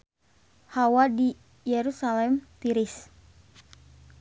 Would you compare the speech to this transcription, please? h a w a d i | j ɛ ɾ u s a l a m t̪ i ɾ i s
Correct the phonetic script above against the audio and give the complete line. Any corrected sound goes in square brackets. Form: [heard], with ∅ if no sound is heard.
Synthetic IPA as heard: h a w a d i | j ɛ ɾ u s a l [ɛ] m t̪ i ɾ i s